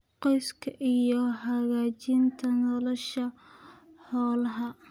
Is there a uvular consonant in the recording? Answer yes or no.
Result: yes